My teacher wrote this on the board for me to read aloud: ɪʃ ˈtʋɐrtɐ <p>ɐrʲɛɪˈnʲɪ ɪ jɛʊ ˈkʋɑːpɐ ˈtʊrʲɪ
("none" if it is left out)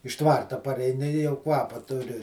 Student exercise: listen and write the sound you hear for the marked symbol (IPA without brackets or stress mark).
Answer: p